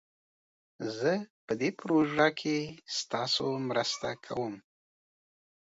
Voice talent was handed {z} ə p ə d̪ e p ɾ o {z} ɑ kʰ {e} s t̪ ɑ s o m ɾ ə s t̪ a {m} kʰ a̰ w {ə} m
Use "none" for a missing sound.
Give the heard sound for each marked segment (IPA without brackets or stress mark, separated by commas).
z, ʒ, e, none, ə